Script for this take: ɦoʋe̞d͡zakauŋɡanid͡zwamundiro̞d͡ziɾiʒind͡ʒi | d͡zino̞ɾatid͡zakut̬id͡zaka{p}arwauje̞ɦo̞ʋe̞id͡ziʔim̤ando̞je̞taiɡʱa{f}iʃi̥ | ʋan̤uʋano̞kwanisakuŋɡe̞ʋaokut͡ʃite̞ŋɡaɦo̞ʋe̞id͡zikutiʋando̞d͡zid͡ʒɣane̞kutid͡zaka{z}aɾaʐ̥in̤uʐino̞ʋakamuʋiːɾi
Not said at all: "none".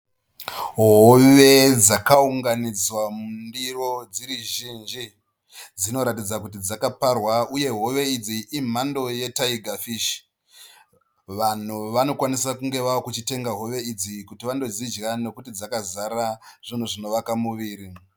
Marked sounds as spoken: p, f, z

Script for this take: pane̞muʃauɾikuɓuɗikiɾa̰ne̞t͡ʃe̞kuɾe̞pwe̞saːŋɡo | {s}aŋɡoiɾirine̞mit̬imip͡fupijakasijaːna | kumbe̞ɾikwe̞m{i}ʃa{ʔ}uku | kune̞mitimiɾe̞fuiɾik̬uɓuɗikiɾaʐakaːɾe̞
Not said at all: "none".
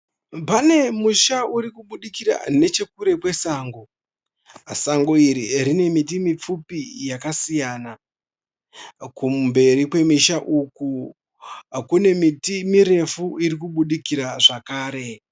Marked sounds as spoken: s, i, ʔ

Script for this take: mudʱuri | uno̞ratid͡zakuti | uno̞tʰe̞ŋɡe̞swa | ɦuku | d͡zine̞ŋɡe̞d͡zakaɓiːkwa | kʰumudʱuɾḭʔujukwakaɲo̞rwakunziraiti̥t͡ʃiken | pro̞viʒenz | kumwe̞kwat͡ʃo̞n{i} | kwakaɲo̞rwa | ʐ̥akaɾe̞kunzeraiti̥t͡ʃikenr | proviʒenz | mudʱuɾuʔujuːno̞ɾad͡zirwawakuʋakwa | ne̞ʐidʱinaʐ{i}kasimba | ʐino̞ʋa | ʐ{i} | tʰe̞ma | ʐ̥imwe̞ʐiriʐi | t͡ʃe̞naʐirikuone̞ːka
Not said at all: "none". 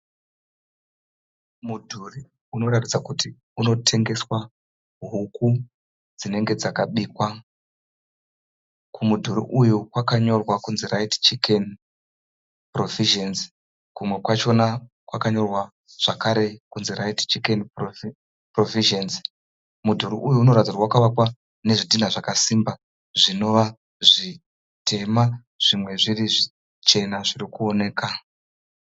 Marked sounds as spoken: a, a, i

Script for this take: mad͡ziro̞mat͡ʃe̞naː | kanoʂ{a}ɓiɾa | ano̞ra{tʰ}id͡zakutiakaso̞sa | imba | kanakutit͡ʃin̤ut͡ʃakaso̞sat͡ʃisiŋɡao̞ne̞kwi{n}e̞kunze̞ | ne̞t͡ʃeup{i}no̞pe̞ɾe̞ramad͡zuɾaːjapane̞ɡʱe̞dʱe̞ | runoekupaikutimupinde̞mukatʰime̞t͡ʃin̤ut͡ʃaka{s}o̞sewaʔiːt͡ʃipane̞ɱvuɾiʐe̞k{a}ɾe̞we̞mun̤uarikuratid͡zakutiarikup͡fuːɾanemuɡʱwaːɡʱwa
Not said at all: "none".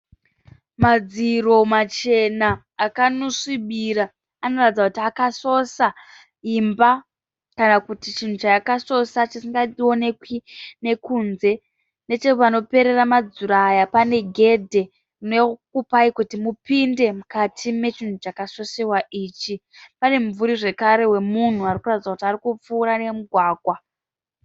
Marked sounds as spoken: i, t, n, a, s, a

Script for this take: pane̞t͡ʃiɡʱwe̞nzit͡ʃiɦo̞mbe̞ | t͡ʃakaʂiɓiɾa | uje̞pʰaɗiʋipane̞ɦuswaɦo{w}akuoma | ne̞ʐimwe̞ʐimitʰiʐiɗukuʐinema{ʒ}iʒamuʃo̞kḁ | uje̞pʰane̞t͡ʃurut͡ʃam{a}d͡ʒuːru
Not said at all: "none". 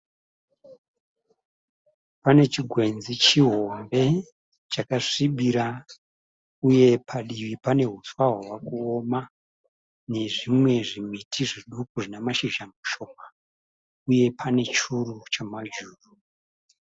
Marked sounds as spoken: w, ʃ, a

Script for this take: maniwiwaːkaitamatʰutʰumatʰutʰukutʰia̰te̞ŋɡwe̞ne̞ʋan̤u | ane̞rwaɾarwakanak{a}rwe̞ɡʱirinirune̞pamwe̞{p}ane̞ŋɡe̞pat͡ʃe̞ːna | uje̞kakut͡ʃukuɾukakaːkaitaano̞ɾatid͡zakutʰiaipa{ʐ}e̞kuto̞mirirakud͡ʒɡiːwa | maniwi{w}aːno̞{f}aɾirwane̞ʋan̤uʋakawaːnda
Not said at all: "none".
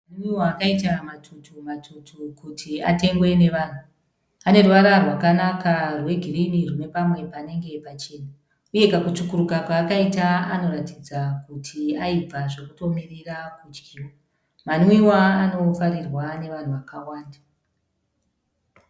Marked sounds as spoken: a, p, ʐ, w, f

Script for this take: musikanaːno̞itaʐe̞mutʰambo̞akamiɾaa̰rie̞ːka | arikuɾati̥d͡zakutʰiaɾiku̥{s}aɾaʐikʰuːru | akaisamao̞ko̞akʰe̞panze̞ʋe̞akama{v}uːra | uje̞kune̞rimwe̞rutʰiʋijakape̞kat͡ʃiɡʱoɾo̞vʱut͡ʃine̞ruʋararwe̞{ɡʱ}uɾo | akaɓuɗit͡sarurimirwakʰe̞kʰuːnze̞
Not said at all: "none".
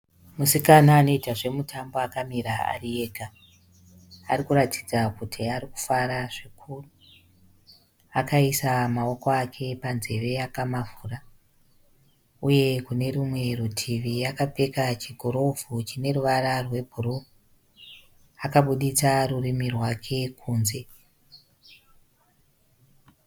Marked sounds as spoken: f, v, bʱ

